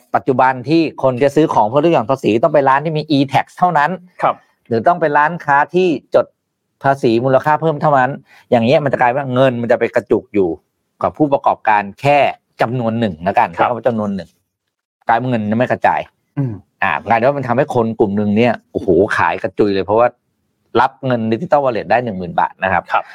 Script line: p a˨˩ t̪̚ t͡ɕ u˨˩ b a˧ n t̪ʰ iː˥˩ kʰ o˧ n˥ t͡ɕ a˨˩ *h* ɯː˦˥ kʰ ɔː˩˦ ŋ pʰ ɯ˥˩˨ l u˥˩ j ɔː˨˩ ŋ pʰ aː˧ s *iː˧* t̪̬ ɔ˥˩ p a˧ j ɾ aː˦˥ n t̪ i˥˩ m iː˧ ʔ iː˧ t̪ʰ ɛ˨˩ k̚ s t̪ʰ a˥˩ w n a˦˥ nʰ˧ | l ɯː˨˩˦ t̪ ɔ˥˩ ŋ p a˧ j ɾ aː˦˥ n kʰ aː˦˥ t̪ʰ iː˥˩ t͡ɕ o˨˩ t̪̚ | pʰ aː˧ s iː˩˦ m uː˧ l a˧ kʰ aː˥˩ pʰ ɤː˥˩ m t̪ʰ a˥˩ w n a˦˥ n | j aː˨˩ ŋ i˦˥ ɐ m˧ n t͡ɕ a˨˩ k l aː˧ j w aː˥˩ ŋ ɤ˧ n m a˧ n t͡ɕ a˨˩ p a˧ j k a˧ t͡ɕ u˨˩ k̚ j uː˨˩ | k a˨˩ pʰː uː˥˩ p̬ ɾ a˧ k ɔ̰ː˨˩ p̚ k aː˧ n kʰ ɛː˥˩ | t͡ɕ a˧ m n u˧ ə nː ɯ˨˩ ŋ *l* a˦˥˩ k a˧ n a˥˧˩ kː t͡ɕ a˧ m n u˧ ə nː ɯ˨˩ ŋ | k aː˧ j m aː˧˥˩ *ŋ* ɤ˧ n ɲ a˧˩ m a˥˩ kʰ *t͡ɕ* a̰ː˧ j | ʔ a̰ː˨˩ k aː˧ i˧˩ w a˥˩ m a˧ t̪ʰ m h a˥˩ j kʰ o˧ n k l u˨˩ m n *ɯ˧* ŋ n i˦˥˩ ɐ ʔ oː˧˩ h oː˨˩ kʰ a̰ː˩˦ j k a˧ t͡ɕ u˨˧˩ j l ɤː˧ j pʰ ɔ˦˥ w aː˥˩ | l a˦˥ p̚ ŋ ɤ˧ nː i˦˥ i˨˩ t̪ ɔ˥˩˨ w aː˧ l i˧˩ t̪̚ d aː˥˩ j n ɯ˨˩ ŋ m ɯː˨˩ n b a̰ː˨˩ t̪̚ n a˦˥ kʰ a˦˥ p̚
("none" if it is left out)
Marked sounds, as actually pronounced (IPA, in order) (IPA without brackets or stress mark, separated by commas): s, iː˩˦, l, ŋ, t͡ɕ, ɯ˧